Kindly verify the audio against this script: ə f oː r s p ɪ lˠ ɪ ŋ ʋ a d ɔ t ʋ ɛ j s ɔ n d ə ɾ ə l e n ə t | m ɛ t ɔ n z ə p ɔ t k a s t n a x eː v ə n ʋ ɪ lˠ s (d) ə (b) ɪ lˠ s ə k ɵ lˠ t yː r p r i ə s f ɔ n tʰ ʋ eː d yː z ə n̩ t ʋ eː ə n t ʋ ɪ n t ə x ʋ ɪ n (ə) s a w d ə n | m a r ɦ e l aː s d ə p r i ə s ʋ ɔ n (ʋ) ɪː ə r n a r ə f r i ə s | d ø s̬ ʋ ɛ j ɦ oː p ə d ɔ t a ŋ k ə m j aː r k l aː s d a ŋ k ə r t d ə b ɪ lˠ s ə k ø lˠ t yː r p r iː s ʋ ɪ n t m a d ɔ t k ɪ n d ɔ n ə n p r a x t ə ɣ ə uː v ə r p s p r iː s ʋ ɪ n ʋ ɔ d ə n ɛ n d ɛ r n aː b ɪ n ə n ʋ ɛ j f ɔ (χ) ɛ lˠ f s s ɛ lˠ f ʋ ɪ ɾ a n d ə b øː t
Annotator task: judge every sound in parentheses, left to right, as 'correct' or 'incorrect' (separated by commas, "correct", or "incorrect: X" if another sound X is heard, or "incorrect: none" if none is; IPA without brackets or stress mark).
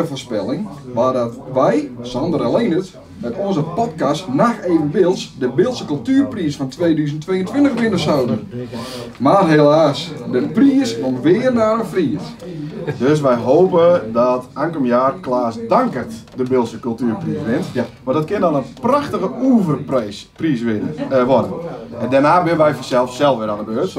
correct, correct, correct, correct, incorrect: s